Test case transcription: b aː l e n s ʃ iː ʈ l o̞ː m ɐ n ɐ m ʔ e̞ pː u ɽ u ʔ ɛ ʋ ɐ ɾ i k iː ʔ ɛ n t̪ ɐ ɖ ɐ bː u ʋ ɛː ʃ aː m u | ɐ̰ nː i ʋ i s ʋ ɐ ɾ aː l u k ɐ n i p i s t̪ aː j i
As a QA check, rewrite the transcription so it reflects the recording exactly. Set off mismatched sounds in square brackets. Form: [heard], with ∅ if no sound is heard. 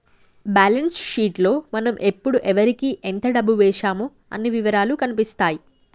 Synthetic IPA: b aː l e n s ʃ iː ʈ l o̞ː m ɐ n ɐ m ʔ e̞ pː u ɽ u ʔ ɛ ʋ ɐ ɾ i k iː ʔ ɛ n t̪ ɐ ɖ ɐ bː u ʋ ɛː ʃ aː m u | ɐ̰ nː i ʋ i [∅] ʋ ɐ ɾ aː l u k ɐ n i p i s t̪ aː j i